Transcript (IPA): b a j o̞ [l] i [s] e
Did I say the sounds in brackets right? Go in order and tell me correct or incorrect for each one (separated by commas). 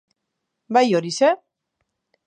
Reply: incorrect, correct